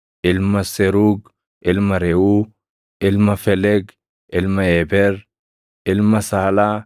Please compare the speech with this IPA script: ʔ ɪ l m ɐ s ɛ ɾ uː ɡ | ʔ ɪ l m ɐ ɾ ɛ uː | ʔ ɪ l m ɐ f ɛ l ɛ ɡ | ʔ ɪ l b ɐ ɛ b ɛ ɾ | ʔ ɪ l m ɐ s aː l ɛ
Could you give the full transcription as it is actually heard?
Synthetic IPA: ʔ ɪ l m ɐ s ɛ ɾ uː ɡ | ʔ ɪ l m ɐ ɾ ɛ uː | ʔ ɪ l m ɐ f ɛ l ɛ ɡ | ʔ ɪ l m ɐ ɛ b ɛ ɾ | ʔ ɪ l m ɐ s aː l a